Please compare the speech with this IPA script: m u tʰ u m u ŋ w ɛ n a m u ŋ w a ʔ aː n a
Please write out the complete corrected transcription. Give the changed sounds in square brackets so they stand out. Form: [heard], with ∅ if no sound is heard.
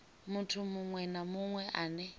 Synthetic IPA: m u tʰ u m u ŋ w ɛ n a m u ŋ w [ɛ] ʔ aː n [ɛ]